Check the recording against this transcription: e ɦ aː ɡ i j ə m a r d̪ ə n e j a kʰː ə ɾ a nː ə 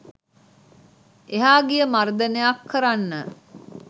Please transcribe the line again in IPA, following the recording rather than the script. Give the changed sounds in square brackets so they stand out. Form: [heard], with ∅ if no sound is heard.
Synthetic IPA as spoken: e ɦ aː ɡ i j ə m a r d̪ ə n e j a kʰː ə ɾ a nː ə